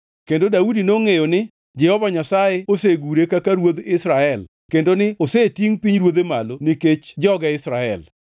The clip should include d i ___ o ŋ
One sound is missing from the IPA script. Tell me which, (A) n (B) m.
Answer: A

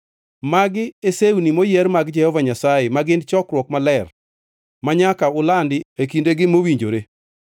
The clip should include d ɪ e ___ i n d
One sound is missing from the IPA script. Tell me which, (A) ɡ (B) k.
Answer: B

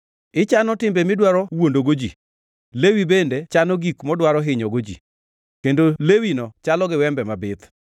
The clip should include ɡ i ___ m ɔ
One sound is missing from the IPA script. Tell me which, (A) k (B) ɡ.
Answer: A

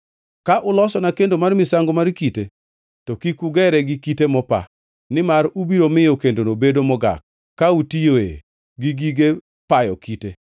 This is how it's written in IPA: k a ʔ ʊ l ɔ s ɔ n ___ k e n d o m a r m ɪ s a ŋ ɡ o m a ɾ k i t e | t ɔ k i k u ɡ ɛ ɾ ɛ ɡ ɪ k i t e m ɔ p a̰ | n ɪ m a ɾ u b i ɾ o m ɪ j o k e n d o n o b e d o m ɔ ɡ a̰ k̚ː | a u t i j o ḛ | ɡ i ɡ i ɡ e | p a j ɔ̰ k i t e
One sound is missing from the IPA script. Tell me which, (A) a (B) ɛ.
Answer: A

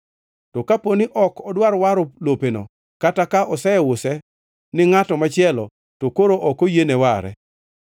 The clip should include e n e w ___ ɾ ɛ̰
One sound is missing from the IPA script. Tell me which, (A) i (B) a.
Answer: B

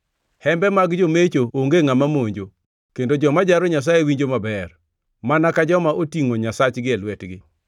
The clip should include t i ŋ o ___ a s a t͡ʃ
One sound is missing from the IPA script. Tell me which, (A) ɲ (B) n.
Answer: A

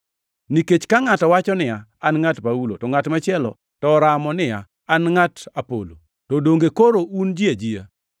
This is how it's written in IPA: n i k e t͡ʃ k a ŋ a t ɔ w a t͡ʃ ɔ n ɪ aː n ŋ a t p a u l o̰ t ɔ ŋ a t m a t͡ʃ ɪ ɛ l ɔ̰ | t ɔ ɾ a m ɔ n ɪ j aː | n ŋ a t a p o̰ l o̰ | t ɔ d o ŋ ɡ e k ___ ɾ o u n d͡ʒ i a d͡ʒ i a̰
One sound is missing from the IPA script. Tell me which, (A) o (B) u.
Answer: A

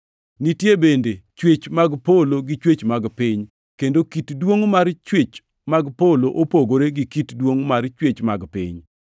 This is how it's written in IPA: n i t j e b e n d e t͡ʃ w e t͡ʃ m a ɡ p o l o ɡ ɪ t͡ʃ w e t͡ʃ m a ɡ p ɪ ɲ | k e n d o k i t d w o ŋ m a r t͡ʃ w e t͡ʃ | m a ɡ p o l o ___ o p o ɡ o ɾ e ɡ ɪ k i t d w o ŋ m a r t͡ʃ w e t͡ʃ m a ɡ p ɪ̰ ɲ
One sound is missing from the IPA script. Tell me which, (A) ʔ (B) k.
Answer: A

